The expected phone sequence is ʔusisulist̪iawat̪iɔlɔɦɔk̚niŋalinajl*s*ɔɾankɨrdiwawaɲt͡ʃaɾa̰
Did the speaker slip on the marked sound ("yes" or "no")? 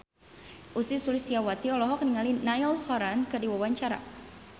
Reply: yes